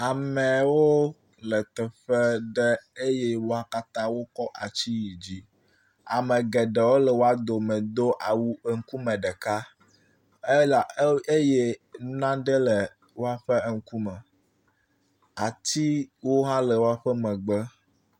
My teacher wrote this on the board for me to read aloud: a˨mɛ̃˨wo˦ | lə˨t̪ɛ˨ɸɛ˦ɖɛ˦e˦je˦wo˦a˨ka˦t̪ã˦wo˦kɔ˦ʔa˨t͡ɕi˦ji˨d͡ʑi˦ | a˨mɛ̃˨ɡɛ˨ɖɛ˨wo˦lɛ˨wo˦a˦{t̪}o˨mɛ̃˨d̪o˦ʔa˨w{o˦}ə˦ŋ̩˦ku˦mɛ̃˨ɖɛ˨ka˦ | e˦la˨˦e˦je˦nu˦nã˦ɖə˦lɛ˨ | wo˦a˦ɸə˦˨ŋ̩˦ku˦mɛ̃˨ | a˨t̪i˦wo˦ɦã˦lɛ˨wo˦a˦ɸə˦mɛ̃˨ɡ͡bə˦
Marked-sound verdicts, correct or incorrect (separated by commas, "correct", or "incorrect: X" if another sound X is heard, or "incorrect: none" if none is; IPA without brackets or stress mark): incorrect: d̪, incorrect: u˦